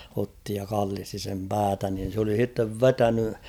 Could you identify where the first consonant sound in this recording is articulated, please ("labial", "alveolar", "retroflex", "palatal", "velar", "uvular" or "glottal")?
alveolar